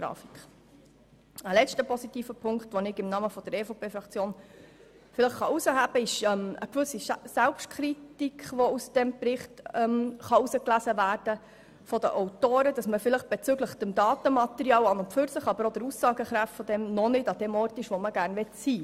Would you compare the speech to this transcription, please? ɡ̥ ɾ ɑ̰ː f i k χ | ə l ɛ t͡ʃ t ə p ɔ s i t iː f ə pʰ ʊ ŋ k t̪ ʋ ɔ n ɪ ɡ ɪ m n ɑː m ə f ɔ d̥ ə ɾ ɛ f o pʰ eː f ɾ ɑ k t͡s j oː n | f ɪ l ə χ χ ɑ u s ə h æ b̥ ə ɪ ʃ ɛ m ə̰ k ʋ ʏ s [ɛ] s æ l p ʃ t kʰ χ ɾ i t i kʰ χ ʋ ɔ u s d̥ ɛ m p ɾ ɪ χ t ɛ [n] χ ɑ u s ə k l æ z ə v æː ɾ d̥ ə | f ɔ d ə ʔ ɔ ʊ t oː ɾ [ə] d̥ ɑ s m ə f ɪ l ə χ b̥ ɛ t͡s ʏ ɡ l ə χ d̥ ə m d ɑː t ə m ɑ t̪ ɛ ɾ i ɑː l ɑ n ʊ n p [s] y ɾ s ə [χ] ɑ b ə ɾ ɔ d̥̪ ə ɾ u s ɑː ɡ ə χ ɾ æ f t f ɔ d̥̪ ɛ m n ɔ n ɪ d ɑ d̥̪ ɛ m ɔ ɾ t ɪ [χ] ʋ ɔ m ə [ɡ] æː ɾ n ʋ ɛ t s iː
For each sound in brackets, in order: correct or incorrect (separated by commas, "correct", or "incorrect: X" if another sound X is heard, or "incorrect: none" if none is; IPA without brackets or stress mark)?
incorrect: i, incorrect: m, correct, incorrect: f, correct, incorrect: ʃ, correct